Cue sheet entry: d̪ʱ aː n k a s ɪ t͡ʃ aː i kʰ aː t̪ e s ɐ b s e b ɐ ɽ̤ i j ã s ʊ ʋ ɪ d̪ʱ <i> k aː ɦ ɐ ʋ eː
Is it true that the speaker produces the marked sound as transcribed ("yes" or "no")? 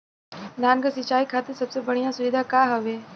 no